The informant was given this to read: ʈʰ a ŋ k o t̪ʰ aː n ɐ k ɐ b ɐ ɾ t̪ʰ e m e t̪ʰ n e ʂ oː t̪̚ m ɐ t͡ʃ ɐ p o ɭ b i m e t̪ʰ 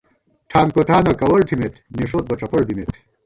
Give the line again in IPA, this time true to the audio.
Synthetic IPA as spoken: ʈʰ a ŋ k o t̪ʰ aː n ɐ k ɐ w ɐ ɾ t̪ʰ i m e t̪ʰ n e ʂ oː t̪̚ b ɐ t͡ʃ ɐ p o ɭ b i m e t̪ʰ